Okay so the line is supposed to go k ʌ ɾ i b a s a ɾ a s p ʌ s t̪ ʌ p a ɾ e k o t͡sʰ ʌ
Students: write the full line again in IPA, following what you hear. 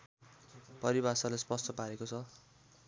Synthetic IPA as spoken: p ʌ ɾ i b a s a l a s p ʌ s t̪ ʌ p a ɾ e k o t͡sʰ ʌ